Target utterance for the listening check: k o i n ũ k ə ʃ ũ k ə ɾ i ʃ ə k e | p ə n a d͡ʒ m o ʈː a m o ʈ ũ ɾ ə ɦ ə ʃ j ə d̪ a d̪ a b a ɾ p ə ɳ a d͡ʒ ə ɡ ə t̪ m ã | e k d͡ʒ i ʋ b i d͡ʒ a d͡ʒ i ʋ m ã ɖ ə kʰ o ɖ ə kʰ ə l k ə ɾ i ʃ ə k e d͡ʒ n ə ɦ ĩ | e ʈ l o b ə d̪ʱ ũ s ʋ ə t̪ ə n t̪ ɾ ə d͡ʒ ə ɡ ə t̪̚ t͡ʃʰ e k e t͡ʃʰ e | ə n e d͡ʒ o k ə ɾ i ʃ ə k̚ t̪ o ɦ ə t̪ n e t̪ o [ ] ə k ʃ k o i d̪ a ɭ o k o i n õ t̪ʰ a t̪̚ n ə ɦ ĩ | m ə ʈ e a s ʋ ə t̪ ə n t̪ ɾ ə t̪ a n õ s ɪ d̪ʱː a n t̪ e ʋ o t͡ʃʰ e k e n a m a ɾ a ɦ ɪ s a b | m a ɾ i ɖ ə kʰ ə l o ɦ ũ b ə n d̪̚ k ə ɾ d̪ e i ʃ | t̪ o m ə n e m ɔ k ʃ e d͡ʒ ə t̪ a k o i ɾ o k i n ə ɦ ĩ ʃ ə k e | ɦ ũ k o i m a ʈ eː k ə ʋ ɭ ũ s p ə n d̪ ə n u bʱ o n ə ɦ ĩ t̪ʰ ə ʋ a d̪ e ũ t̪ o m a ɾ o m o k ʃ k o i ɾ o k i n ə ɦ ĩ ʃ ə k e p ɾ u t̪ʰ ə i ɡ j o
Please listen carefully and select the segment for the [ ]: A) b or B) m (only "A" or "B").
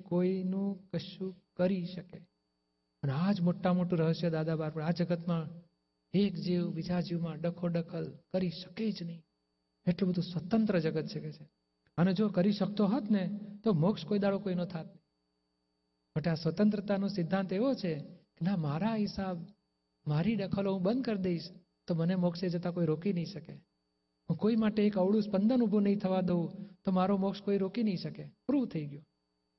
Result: B